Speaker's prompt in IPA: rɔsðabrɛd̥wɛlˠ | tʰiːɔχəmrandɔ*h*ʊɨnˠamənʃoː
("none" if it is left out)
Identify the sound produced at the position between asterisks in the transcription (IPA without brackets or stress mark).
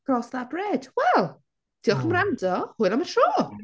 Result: h